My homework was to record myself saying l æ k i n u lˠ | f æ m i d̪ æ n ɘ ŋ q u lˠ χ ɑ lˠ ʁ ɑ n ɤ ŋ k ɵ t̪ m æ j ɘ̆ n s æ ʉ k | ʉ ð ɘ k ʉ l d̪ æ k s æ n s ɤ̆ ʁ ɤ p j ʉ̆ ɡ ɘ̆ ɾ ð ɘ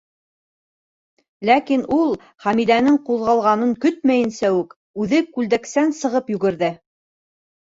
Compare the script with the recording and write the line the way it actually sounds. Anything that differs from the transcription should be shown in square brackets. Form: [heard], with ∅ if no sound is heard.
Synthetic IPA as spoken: l æ k i n u lˠ | [χ] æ m i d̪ æ n ɘ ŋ q u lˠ [ʁ] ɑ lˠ ʁ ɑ n ɤ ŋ k ɵ t̪ m æ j ɘ̆ n s æ ʉ k | ʉ ð ɘ k ʉ l d̪ æ k s æ n s ɤ̆ ʁ ɤ p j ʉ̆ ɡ ɘ̆ ɾ ð ɘ